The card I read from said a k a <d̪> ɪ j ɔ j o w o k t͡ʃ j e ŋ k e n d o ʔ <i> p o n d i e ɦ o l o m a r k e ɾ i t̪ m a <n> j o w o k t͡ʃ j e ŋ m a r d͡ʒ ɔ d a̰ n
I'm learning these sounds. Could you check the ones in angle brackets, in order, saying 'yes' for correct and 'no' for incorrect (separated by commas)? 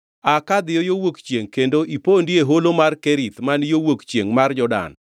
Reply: yes, yes, yes